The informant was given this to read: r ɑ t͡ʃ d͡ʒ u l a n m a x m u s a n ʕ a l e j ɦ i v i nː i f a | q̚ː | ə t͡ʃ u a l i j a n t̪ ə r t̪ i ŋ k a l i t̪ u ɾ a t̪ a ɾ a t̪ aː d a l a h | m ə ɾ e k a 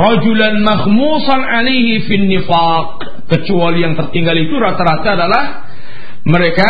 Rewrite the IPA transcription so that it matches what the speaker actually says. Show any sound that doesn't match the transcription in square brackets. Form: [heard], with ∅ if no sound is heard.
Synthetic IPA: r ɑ [∅] d͡ʒ u l a n m a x m u s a n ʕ a l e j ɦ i [f] i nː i f a | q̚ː | ə t͡ʃ u a l i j a [ŋ] t̪ ə r t̪ i ŋ [ɡ] a l i t̪ u ɾ a t̪ a ɾ a t̪ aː d a l a h | m ə ɾ e k a